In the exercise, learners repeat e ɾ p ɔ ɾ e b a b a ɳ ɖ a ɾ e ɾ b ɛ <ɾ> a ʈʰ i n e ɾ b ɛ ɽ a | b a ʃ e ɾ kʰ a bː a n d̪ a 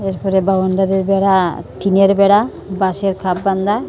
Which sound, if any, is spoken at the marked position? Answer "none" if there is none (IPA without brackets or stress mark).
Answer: ɽ